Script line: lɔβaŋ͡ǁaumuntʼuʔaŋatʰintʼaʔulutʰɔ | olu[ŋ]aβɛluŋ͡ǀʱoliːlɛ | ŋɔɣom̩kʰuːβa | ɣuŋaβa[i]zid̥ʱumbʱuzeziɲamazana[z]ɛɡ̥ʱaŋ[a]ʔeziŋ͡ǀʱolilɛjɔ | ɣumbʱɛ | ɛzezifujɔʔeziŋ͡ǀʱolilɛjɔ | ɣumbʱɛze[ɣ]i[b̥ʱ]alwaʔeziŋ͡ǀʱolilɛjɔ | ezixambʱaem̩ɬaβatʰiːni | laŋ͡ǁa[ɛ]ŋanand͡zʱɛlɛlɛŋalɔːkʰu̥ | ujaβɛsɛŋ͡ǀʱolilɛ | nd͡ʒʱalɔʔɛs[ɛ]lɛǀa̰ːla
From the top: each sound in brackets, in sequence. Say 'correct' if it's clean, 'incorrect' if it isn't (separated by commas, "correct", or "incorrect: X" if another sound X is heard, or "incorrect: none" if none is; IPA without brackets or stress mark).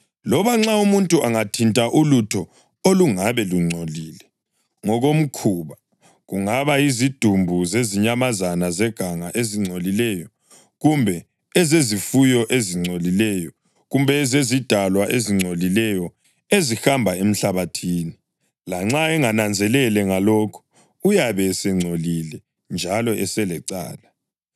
correct, correct, correct, correct, incorrect: z, incorrect: d̥ʱ, correct, correct